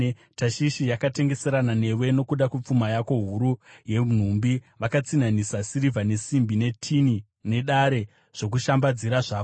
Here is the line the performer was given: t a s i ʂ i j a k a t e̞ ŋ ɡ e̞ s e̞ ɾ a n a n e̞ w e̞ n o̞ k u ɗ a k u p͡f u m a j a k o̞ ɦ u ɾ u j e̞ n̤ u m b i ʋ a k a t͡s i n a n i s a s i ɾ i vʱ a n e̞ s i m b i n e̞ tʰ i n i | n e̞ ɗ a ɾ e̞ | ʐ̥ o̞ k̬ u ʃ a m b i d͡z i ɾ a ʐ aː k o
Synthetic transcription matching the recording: t a ʃ i ʃ i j a k a t e̞ ŋ ɡ e̞ s e̞ ɾ a n a n e̞ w e̞ n o̞ k u ɗ a k u p͡f u m a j a k o̞ ɦ u ɾ u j e̞ n̤ u m b i ʋ a k a t͡s i n a n i s a s i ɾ i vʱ a n e̞ s i m b i n e̞ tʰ i n i | n e̞ ɗ a ɾ e̞ | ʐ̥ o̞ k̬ u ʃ a m b a d͡z i ɾ a ʐ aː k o